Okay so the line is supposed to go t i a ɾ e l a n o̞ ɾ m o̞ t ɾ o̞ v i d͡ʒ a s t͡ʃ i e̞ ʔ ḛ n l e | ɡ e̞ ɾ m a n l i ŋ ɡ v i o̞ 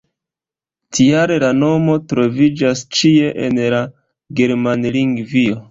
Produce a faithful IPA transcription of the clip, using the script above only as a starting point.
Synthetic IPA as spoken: t i a ɾ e l a n o̞ m o̞ t ɾ o̞ v i d͡ʒ a s t͡ʃ i e̞ ʔ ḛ n l a | ɡ e̞ ɾ m a n l i ŋ ɡ v i o̞